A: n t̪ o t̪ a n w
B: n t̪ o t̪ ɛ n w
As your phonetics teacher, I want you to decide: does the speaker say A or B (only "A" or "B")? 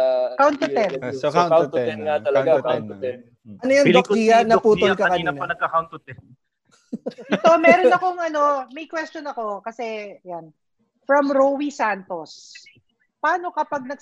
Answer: B